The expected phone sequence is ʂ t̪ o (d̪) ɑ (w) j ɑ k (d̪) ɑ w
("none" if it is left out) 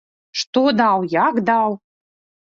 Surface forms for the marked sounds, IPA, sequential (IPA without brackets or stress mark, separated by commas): d̪, w, d̪